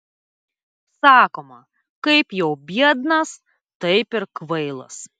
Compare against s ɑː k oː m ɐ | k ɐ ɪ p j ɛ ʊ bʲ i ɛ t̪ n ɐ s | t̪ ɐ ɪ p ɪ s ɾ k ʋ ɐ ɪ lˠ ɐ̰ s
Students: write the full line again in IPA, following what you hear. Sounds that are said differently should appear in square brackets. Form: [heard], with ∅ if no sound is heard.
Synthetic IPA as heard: s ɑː k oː m ɐ | k ɐ ɪ p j ɛ ʊ bʲ i ɛ [d̪] n ɐ s | t̪ ɐ ɪ p ɪ [∅] ɾ k ʋ ɐ ɪ lˠ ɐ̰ s